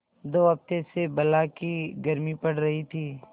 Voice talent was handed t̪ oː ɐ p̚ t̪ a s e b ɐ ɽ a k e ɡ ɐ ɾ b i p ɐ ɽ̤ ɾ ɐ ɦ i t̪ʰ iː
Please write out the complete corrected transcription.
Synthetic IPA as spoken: d̪ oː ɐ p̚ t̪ e s e b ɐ l a k i ɡ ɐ ɾ m i p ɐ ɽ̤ ɾ ɐ ɦ i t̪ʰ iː